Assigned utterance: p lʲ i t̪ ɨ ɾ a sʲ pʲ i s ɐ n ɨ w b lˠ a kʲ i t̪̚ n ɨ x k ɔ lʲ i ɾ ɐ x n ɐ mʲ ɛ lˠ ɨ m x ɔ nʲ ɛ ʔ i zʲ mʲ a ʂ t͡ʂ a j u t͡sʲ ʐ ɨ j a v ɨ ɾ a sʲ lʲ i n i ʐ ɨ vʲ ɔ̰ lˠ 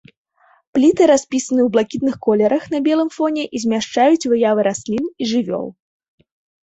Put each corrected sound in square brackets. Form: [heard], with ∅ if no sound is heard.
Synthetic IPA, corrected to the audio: p lʲ i t̪ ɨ ɾ a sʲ pʲ i s ɐ n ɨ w b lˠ a kʲ i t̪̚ n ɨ x k ɔ lʲ [ɛ] ɾ ɐ x n ɐ [bʲ] ɛ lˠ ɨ m [f] ɔ nʲ ɛ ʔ i zʲ mʲ a ʂ t͡ʂ a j u t͡sʲ [v] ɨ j a v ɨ ɾ a sʲ lʲ i n i ʐ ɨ vʲ ɔ̰ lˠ